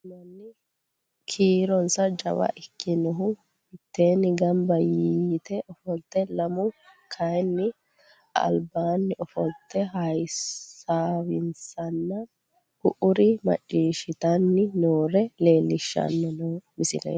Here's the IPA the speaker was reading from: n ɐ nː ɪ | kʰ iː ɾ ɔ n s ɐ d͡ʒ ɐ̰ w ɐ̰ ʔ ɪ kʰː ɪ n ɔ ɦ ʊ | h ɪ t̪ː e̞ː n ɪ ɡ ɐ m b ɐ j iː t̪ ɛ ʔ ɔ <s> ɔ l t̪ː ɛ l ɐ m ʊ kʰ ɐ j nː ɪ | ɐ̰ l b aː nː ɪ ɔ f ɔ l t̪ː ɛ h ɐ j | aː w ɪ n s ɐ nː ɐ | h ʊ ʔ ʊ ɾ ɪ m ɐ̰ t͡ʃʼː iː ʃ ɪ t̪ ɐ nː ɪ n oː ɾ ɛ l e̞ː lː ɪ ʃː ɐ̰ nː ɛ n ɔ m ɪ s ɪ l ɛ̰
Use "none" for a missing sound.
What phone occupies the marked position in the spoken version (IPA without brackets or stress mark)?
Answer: f